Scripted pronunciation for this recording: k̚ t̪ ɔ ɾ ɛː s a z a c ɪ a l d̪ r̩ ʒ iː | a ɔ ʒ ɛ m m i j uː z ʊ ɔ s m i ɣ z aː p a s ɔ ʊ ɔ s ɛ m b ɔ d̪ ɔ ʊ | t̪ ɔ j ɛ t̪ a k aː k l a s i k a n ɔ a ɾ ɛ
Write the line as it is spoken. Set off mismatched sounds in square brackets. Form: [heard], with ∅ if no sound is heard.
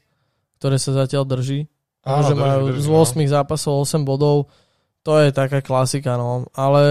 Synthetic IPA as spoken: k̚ t̪ ɔ ɾ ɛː s a z a c ɪ a l d̪ r̩ ʒ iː | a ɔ ʒ ɛ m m [a] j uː z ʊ ɔ s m i ɣ z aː p a s ɔ ʊ ɔ s ɛ m b ɔ d̪ ɔ ʊ | t̪ ɔ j ɛ t̪ a k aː k l a s i k a n ɔ a [l] ɛ